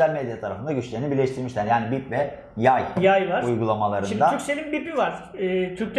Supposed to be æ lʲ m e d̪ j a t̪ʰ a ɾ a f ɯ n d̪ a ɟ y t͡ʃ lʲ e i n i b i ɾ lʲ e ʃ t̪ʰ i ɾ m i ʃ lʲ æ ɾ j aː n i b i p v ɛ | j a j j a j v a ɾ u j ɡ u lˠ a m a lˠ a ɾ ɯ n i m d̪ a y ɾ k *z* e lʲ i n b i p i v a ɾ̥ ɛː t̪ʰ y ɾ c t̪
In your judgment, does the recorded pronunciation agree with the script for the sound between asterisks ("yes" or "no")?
no